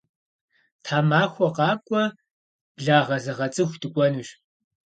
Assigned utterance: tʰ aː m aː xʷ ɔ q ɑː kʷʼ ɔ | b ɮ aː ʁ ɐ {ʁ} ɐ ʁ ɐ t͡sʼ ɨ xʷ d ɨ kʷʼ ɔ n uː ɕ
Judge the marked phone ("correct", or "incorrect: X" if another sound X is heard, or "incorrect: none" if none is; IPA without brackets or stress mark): incorrect: z